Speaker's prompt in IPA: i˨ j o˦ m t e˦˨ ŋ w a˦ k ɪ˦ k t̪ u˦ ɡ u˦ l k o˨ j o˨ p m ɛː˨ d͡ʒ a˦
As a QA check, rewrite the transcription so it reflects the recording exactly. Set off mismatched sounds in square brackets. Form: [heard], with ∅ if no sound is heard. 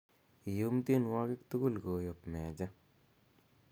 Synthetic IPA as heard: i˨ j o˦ m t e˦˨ [n] w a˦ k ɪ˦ k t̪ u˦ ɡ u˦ l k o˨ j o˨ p m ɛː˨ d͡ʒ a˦